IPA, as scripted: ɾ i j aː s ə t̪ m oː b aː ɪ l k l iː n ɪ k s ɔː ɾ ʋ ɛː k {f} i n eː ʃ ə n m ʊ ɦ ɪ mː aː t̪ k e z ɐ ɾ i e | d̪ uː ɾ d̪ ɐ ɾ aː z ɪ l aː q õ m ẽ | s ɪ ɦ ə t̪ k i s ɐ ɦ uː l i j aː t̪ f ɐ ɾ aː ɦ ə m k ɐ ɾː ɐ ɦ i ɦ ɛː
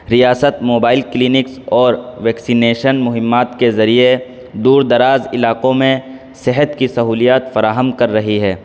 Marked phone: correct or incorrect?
incorrect